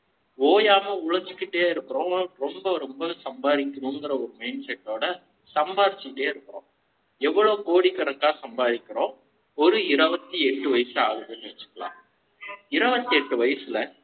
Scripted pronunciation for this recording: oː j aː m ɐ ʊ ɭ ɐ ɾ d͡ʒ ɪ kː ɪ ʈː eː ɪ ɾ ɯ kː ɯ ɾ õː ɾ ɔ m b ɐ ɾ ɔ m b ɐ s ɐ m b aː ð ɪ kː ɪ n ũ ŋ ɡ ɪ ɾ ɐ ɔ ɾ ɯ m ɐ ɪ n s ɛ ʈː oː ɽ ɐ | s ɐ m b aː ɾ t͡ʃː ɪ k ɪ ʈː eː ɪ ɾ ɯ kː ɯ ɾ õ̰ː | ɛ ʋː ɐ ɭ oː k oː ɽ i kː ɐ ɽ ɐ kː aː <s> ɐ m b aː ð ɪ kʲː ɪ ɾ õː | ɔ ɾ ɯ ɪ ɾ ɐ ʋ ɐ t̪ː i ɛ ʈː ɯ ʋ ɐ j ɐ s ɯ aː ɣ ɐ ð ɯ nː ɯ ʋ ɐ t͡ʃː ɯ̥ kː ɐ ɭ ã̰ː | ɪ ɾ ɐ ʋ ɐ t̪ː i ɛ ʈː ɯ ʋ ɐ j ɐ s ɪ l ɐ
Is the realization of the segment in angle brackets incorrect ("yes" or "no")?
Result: no